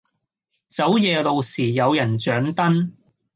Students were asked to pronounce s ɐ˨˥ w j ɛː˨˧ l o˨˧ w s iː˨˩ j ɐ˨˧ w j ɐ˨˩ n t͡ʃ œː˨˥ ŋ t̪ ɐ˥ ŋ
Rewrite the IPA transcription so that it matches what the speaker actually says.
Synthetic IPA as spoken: t͡s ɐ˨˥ w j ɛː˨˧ l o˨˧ w s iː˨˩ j ɐ˨˧ w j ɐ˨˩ n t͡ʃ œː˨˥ ŋ t̪ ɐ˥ n